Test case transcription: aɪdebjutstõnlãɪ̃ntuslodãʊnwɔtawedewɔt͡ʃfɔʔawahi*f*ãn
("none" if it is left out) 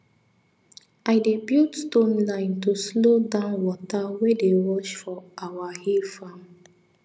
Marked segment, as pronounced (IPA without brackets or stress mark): f